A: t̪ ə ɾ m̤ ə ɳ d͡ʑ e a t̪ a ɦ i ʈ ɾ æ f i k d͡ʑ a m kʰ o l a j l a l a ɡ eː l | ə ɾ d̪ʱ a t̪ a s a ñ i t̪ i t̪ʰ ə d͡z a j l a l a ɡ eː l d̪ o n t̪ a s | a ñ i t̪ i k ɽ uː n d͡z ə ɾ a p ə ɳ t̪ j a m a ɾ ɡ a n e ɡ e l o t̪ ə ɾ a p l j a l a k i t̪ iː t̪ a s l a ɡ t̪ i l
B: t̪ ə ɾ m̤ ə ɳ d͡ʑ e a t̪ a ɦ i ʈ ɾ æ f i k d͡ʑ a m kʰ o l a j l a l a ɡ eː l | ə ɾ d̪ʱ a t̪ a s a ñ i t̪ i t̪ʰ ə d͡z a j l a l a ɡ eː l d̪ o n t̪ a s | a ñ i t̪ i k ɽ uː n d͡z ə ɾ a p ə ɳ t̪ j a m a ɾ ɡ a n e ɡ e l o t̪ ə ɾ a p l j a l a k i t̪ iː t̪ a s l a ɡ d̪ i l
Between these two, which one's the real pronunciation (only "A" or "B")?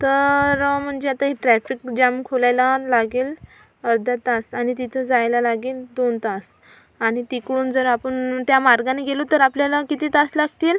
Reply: A